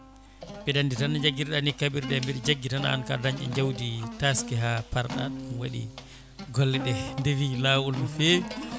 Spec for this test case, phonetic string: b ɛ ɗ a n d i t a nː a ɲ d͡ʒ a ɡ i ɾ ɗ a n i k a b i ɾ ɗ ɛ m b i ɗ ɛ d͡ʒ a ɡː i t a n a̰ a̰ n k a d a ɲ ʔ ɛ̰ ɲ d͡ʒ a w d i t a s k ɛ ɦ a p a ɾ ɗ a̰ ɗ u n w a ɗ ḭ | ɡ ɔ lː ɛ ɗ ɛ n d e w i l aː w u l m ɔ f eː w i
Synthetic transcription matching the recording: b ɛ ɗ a n d i t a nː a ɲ d͡ʒ a ɡ i ɾ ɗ a n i k a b i ɾ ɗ ɛ m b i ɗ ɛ d͡ʒ a ɡː i t a n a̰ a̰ n k a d a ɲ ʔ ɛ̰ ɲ d͡ʒ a w d i t a s k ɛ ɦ a p a ɾ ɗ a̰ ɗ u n w a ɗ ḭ | ɡ ɔ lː ɛ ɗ ɛ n d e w i l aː w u l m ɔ f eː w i